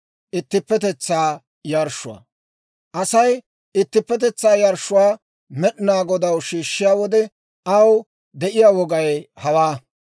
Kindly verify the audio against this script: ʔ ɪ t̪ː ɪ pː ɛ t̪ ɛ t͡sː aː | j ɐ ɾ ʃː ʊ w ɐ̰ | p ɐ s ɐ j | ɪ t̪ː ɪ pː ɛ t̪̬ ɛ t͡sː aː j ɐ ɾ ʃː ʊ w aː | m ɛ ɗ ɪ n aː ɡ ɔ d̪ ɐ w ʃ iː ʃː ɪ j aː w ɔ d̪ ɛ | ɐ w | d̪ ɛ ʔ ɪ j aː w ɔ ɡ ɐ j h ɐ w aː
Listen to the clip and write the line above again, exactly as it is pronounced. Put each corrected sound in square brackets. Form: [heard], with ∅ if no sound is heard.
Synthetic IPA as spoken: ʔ ɪ t̪ː ɪ pː ɛ t̪ ɛ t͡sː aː | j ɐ ɾ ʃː ʊ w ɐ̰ | [ʔ] ɐ s ɐ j | ɪ t̪ː ɪ pː ɛ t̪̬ ɛ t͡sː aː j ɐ ɾ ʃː ʊ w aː | m ɛ ɗ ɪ n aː ɡ ɔ d̪ ɐ w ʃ iː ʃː ɪ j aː w ɔ d̪ ɛ | ɐ w | d̪ ɛ ʔ ɪ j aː w ɔ ɡ ɐ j h ɐ w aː